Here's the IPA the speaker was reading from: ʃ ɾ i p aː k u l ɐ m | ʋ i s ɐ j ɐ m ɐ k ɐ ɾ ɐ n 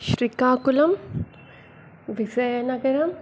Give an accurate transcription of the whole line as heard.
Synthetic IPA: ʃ ɾ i k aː k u l ɐ m | ʋ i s ɐ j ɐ n ɐ ɡ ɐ ɾ ɐ m